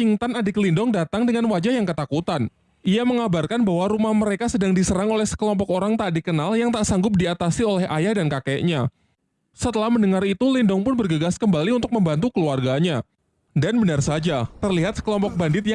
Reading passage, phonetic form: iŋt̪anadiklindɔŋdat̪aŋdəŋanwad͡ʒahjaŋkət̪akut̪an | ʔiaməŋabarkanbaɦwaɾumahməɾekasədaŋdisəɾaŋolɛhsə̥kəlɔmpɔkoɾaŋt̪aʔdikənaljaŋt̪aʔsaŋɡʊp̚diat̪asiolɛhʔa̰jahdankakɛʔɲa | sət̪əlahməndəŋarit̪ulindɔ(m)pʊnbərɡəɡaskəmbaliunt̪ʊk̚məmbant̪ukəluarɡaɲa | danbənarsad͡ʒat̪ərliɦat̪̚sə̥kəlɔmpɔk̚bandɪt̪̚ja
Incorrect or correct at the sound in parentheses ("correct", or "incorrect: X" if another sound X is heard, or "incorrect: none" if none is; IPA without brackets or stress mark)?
incorrect: ŋ